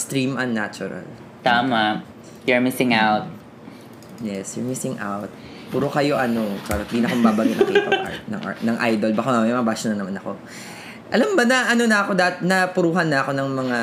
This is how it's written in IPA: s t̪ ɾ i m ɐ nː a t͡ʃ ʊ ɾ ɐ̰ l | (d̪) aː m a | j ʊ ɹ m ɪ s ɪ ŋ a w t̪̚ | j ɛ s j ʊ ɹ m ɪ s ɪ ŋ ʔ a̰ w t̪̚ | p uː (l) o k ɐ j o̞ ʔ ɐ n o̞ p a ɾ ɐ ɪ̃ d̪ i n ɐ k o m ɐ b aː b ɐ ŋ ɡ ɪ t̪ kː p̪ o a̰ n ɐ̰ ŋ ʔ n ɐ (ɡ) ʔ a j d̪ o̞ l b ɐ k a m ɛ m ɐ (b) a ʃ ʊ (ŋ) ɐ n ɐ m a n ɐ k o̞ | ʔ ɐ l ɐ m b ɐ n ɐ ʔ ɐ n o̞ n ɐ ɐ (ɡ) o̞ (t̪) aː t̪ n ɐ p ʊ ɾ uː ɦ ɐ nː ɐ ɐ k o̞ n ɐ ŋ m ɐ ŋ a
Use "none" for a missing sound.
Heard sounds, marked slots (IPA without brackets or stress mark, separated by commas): t̪, ɾ, ŋ, b, n, k, d̪